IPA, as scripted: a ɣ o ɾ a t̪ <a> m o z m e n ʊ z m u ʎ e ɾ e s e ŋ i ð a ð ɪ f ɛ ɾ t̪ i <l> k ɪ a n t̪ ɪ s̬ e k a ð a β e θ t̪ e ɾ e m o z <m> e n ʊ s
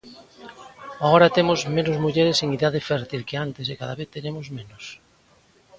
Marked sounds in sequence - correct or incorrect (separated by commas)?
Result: incorrect, correct, correct